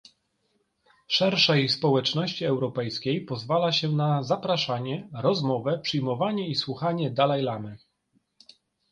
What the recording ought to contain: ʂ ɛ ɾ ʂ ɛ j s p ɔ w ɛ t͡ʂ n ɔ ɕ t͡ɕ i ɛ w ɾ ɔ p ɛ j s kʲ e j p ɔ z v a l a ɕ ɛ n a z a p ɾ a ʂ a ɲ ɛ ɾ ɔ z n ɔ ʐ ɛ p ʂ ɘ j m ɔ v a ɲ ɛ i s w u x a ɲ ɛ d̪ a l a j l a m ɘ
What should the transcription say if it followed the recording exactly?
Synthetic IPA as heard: ʂ ɛ ɾ ʂ ɛ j s p ɔ w ɛ t͡ʂ n ɔ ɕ t͡ɕ i ɛ w ɾ ɔ p ɛ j s kʲ e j p ɔ z v a l a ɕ ɛ n a z a p ɾ a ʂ a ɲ ɛ ɾ ɔ z m ɔ v ɛ p ʂ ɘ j m ɔ v a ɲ ɛ i s w u x a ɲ ɛ d̪ a l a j l a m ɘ